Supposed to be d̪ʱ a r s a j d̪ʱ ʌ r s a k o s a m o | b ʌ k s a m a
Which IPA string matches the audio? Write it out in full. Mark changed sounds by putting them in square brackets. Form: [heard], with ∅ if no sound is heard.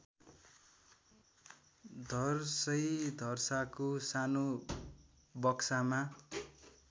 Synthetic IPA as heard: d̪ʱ [ʌ] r s [ʌ] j d̪ʱ ʌ r s a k o s a [n] o | b ʌ k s a m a